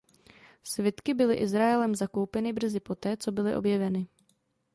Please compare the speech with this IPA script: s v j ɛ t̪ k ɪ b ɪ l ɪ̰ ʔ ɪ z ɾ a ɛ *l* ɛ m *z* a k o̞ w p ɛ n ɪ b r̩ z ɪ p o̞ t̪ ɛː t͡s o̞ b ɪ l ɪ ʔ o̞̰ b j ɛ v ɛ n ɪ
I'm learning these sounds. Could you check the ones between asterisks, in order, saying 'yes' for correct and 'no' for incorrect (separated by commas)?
yes, yes